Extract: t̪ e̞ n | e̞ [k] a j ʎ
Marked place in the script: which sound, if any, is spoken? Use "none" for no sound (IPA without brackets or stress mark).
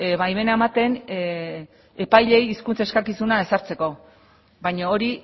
p